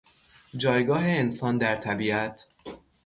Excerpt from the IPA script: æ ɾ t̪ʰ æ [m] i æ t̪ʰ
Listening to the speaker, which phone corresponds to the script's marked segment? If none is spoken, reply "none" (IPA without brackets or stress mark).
b